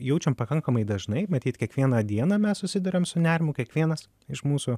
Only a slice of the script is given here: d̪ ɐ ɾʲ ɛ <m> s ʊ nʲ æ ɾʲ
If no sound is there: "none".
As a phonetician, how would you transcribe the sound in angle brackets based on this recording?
m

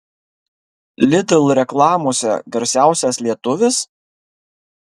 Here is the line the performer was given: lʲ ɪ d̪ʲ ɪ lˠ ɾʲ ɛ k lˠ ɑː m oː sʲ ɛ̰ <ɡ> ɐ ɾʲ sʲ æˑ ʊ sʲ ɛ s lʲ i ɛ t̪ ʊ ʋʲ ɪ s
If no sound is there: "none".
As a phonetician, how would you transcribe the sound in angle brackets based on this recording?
ɡ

